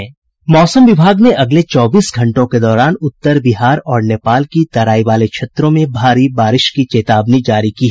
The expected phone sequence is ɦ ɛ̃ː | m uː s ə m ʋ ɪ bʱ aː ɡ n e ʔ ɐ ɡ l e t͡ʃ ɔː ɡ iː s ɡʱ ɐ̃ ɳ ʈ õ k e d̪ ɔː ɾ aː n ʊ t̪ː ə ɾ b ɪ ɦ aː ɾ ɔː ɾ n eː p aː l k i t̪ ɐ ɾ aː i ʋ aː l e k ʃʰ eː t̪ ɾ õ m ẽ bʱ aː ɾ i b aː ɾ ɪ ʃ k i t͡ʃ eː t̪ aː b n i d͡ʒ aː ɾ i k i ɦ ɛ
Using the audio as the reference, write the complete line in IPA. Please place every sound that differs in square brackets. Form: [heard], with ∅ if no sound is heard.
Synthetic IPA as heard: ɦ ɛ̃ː | m [ɔː] s ə m ʋ ɪ bʱ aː ɡ n e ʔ ɐ ɡ l e t͡ʃ ɔː [b] iː s ɡʱ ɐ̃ ɳ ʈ õ k e d̪ ɔː ɾ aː n ʊ t̪ː ə ɾ b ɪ ɦ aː ɾ ɔː ɾ n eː p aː l k i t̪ ɐ ɾ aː i ʋ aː l e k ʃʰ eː t̪ ɾ õ m ẽ bʱ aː ɾ i b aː ɾ ɪ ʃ k i t͡ʃ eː t̪ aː b n i d͡ʒ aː ɾ i k i ɦ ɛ